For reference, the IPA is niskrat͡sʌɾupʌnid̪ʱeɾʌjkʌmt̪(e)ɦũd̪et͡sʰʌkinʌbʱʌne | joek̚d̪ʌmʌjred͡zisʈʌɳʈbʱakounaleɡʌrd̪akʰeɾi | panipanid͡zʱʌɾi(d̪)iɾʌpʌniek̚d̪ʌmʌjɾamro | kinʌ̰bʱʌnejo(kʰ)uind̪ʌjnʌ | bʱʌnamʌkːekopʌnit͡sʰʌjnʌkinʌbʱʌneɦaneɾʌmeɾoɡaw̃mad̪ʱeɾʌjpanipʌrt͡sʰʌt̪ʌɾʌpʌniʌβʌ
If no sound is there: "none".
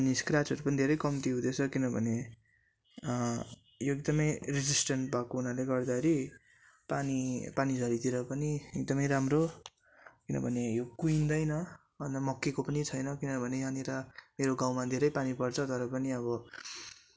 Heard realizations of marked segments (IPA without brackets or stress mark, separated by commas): i, t̪, k